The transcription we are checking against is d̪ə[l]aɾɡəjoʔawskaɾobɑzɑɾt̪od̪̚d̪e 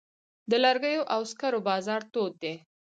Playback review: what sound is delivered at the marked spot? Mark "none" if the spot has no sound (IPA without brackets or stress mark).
l